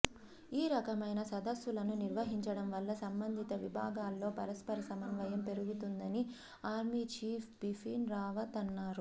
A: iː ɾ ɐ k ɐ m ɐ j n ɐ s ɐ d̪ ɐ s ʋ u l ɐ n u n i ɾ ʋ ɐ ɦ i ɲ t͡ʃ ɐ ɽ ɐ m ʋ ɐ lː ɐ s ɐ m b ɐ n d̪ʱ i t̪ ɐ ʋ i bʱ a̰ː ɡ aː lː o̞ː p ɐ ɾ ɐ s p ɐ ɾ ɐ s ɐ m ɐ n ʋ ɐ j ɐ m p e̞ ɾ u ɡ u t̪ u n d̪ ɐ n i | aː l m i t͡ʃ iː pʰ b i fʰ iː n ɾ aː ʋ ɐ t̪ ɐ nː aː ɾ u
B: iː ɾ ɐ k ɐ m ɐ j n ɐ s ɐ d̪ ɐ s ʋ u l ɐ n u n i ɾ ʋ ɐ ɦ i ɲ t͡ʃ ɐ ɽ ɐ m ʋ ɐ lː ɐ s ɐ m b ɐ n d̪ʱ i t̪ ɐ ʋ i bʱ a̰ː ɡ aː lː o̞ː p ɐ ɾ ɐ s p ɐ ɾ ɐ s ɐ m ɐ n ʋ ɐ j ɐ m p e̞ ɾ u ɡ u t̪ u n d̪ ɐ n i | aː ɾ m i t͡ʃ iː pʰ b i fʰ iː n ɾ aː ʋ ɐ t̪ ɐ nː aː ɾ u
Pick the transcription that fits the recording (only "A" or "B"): B